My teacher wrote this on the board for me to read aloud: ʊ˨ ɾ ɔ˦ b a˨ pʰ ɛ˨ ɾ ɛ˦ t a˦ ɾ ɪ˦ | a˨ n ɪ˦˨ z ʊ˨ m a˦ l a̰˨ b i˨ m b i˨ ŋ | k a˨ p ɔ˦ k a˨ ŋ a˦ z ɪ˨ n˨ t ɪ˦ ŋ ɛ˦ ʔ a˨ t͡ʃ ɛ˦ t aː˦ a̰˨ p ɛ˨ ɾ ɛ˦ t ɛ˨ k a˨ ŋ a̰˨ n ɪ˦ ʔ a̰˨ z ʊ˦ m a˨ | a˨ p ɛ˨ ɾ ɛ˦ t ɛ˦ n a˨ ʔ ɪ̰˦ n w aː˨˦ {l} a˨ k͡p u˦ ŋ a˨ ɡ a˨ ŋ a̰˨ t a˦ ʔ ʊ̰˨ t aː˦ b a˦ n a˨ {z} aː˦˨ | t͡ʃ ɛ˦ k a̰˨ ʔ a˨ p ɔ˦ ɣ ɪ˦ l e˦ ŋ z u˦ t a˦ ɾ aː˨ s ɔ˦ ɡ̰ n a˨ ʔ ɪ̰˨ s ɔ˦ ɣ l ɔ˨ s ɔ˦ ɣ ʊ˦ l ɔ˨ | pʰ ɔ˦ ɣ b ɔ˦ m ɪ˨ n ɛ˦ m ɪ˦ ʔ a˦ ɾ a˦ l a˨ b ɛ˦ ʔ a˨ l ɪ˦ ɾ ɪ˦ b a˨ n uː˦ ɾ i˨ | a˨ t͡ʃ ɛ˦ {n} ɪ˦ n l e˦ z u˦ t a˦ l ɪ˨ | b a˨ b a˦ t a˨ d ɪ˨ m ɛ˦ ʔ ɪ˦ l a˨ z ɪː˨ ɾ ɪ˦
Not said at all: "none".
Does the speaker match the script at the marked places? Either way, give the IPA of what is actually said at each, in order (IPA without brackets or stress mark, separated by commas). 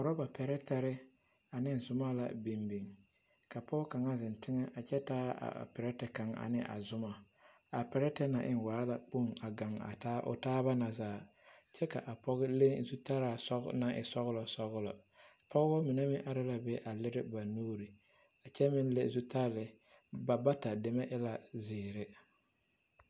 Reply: l, z, m